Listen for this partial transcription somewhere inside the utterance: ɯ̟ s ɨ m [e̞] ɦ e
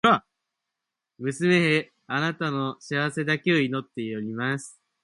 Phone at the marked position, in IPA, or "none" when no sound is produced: e̞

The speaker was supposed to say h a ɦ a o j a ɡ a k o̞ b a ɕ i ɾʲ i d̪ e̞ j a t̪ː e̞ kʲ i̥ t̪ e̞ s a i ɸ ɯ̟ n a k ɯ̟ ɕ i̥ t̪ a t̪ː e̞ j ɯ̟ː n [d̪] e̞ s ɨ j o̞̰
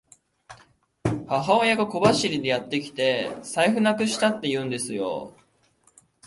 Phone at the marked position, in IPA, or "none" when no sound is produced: d̪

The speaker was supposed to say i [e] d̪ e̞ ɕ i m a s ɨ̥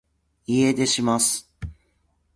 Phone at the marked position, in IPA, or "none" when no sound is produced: e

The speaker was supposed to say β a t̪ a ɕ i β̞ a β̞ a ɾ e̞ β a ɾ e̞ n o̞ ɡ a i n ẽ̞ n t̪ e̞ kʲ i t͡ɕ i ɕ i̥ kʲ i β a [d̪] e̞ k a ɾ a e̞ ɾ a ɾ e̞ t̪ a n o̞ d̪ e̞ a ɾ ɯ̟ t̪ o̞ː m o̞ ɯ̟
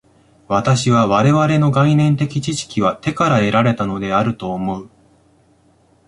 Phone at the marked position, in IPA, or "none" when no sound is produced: t̪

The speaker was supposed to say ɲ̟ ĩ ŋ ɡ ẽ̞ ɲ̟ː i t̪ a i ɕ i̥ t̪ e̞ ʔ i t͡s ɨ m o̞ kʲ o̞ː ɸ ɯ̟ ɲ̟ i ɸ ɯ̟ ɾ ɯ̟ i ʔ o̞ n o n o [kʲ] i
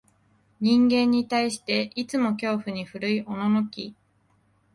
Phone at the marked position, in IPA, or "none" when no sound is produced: kʲ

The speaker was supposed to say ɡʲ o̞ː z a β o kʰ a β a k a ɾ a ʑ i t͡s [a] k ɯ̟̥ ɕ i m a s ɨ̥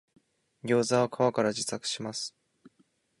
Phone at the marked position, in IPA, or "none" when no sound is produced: a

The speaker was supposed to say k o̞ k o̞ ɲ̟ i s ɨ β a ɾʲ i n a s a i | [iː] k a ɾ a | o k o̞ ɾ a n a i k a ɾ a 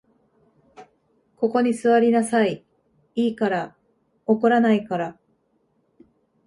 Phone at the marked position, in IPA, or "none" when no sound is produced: iː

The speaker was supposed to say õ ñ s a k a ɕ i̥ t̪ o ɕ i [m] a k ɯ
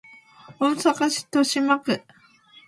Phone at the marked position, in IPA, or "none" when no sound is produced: m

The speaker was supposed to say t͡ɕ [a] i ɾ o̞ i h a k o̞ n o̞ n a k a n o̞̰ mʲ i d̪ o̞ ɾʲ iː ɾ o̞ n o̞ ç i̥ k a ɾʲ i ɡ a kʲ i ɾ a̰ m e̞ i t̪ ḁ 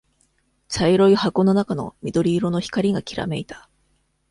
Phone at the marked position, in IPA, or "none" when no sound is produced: a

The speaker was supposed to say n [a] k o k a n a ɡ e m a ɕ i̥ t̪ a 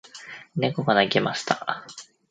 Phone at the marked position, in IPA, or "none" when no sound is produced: e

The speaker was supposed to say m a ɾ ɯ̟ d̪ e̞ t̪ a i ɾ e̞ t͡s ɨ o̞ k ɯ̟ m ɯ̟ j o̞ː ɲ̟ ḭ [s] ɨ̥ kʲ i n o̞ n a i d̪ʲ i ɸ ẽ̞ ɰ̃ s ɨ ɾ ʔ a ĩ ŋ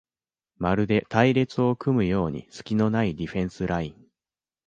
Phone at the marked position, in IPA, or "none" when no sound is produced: s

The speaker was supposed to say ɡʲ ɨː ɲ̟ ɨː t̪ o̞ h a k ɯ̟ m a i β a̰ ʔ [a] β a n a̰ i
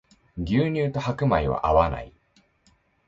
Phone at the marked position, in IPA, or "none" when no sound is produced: a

